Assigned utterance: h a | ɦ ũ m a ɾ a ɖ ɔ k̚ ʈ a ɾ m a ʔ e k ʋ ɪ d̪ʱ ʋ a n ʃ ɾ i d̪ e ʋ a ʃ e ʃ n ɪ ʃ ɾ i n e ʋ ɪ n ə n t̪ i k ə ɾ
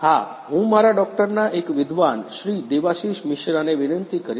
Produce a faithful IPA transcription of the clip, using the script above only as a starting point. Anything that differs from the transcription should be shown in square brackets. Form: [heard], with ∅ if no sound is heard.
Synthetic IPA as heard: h a | ɦ ũ m a ɾ a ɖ ɔ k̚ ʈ [ə] ɾ [n] a ʔ e k ʋ ɪ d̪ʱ ʋ a n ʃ ɾ i d̪ e ʋ a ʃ [i] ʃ [m] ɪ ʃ ɾ [a] n e ʋ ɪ n ə n t̪ i k ə ɾ

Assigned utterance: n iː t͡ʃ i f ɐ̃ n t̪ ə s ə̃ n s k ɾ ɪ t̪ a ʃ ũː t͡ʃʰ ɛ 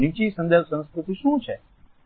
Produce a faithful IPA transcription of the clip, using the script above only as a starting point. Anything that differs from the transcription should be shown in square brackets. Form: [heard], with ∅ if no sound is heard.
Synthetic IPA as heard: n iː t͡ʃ i [s] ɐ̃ n [d̪] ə s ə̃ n s k ɾ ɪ t̪ [i] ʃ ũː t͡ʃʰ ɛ

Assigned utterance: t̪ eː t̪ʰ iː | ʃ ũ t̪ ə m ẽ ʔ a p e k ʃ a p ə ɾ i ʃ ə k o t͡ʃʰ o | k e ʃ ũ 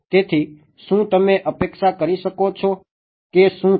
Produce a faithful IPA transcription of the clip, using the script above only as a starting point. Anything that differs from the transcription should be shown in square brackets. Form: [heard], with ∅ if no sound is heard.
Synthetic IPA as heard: t̪ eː t̪ʰ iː | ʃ ũ t̪ ə m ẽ ʔ [ə] p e k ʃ a [k] ə ɾ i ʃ ə k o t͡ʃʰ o | k e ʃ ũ

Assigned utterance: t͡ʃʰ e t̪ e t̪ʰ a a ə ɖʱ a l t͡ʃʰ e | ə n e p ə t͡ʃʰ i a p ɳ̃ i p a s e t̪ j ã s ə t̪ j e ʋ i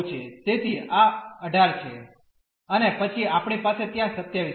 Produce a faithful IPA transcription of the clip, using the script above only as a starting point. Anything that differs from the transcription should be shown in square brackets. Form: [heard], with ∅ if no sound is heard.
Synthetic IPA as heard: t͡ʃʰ e t̪ e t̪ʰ [i] a ə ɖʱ a [ɾ] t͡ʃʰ e | ə n e p ə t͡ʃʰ i a p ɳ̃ i p a s e t̪ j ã s ə t̪ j [a] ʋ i

